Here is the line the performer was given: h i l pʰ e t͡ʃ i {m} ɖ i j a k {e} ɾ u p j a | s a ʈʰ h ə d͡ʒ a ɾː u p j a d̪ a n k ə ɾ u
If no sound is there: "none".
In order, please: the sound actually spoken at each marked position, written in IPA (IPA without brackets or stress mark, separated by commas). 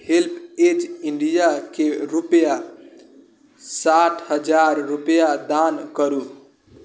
ɳ, e